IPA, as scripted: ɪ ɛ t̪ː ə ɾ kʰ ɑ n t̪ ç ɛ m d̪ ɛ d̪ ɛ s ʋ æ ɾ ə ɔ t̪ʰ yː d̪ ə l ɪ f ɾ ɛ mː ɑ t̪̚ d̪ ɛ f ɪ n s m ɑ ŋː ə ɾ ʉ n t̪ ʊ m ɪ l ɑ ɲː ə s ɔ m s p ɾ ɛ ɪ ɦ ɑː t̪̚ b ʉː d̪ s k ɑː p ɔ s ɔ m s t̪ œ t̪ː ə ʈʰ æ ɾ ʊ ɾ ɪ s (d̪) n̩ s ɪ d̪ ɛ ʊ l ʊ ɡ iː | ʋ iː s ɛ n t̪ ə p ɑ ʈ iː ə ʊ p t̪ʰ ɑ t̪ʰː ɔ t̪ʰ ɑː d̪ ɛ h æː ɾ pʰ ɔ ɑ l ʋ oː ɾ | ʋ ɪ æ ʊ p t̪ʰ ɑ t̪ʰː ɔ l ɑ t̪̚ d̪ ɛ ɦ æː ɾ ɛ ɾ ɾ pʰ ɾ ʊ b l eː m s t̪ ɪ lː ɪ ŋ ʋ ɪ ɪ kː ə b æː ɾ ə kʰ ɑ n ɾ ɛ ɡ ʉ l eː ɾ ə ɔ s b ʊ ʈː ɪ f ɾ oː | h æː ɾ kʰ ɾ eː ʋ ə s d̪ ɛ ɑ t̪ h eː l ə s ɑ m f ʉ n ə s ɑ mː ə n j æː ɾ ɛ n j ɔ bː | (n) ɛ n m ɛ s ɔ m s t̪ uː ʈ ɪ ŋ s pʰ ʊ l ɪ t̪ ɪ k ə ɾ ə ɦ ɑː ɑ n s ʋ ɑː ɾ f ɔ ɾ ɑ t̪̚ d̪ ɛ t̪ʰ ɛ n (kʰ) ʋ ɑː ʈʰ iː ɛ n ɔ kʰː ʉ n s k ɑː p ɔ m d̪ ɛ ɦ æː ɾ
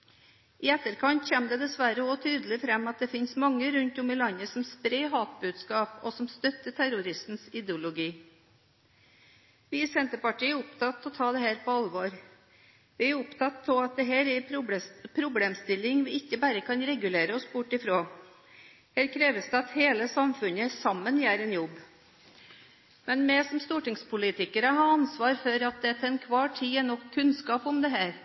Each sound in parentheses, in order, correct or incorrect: incorrect, incorrect, correct

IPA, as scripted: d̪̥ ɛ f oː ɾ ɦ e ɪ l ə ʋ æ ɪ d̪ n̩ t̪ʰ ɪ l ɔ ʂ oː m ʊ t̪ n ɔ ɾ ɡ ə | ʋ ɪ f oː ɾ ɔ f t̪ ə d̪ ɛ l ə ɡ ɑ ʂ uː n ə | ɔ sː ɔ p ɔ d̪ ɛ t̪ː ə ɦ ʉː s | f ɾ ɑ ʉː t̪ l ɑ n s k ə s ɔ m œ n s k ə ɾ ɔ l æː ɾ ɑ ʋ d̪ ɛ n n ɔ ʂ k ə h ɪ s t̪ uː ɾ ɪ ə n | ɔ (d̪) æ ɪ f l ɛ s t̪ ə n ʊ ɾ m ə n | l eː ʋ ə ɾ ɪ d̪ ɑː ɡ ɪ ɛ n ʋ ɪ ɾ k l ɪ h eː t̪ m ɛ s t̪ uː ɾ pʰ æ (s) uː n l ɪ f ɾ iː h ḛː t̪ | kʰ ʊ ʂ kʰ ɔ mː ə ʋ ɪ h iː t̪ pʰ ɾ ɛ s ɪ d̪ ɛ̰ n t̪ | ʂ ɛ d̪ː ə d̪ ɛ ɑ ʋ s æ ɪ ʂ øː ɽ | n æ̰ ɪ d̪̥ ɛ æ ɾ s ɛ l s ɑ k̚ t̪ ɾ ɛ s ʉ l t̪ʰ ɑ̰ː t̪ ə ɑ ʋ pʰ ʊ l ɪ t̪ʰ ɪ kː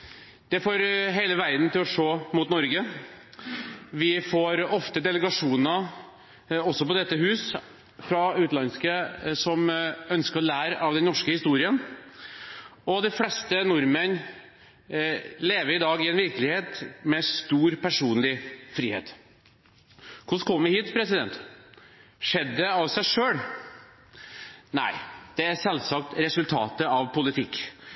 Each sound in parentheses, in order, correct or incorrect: correct, incorrect

